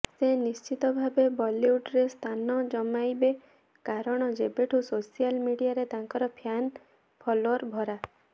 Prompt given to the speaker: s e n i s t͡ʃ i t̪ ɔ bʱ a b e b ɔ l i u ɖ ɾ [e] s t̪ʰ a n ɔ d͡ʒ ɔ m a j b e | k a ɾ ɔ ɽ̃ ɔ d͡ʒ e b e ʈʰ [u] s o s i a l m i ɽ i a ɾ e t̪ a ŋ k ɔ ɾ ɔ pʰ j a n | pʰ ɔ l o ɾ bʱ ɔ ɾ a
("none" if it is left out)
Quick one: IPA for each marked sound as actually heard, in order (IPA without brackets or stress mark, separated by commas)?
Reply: e, u